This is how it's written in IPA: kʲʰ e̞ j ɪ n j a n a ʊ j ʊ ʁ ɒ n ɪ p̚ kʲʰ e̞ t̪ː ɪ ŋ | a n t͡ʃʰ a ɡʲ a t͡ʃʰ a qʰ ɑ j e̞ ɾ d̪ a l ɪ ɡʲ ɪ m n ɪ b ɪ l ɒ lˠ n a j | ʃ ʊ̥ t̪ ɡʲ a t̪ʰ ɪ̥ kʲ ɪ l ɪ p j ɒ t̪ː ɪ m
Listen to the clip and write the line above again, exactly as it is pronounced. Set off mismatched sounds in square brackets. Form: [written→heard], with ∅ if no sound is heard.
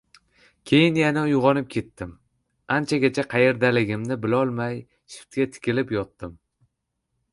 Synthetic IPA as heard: kʲʰ e̞ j ɪ n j a n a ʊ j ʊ ʁ ɒ n ɪ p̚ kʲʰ e̞ t̪ː ɪ [ŋ→m] | a n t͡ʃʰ a ɡʲ a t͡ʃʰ a qʰ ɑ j e̞ ɾ d̪ a l ɪ ɡʲ ɪ m n ɪ b ɪ l ɒ lˠ [n→m] a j | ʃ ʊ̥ t̪ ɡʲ a t̪ʰ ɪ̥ kʲ ɪ l ɪ p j ɒ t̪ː ɪ m